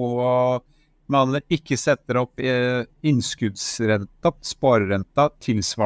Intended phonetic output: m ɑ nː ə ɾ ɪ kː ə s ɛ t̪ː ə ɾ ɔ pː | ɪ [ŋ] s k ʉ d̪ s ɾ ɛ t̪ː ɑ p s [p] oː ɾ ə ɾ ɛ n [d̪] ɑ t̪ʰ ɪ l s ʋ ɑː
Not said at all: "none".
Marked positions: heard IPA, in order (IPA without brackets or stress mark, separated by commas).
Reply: n, p, t̪